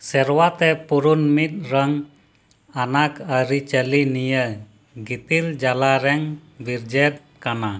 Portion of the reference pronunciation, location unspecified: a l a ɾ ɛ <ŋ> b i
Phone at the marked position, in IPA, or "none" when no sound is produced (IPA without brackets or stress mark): ŋ